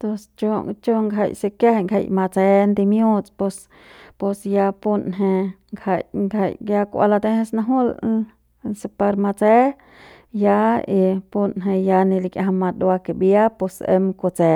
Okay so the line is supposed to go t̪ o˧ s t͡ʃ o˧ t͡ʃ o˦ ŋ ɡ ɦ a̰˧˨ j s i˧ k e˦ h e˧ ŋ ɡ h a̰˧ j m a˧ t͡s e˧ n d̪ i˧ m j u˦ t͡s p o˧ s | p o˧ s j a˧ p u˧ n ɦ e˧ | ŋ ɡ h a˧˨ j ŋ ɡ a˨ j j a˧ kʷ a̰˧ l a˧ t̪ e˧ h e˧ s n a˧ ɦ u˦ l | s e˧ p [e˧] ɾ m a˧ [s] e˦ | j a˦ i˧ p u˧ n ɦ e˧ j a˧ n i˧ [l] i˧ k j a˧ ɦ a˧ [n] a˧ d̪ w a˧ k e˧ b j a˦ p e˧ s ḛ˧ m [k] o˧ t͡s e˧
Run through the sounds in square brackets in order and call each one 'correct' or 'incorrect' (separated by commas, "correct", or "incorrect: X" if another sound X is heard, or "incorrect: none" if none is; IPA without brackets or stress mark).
incorrect: a˧, incorrect: t͡s, correct, incorrect: m, correct